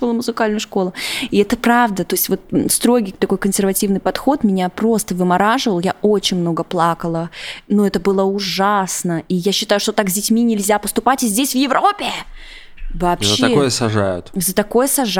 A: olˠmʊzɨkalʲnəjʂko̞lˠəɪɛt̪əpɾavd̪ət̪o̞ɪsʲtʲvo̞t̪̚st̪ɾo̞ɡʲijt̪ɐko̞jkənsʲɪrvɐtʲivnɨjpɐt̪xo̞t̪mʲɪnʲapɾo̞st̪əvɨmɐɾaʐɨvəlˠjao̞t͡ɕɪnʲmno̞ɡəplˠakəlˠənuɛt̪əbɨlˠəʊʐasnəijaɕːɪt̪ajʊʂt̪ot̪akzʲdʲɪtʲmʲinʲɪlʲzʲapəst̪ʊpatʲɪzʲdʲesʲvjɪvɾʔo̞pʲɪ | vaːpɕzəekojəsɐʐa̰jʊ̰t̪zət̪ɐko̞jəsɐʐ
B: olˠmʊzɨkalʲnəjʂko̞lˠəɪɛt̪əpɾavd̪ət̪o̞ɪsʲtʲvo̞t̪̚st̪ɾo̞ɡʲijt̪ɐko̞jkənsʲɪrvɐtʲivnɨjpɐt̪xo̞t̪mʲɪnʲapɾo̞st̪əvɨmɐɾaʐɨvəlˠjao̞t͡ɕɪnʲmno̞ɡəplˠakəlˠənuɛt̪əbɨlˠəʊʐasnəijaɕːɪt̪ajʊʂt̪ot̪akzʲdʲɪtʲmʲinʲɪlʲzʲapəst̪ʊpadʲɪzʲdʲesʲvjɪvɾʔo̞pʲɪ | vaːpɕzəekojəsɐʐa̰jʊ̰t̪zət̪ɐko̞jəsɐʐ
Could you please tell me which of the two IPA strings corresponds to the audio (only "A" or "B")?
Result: A